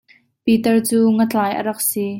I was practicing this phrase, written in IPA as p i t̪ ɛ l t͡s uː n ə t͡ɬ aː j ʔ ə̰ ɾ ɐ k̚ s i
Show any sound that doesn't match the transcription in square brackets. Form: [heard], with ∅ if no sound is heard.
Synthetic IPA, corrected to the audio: p i t̪ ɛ [r] t͡s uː [ŋ] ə t͡ɬ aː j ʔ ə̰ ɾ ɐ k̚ s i